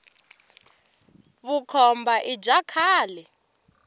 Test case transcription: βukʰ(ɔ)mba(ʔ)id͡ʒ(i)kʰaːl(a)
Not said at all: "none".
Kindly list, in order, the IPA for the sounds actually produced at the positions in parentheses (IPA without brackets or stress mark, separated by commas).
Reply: ɔ, ʔ, a, ɛ